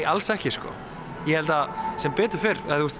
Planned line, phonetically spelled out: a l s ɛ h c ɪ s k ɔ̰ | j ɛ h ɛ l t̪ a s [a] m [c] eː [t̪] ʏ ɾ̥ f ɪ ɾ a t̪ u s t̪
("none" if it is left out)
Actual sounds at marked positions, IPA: ɛ, p, t̪

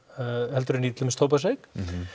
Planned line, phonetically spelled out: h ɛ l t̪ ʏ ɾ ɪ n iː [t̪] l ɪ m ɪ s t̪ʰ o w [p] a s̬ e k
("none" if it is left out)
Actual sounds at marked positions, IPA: t̪, p

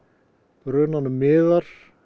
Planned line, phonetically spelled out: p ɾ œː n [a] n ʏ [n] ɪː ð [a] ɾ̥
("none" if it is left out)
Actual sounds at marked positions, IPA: a, m, a

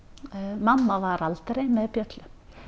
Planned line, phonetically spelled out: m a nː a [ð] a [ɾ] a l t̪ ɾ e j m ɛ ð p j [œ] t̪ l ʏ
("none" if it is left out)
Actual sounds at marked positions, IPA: v, ɾ, œ

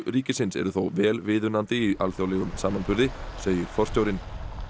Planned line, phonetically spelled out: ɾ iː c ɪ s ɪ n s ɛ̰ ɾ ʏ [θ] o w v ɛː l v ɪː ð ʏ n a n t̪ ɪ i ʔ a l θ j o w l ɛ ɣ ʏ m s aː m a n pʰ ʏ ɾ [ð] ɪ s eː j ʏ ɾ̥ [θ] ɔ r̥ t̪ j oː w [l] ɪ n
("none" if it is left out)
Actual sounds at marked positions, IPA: θ, ð, f, ɾ

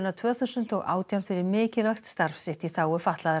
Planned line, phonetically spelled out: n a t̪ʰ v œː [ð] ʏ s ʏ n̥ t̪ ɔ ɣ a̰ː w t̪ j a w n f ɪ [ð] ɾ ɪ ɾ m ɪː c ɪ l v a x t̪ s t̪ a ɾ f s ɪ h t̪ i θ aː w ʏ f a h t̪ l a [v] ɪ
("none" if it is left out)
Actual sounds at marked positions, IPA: θ, none, ð

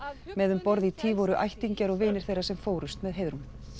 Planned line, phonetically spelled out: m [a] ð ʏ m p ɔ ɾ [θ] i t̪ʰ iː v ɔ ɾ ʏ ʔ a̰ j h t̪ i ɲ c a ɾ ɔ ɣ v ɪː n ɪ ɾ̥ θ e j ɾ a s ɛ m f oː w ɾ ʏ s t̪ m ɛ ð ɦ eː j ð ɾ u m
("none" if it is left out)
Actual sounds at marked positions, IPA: ɛ, ð

